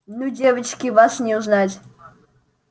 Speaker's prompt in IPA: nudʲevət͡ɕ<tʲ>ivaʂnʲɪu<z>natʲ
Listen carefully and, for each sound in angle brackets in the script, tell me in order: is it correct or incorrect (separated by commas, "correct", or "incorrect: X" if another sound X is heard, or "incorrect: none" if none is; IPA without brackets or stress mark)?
incorrect: kʲ, correct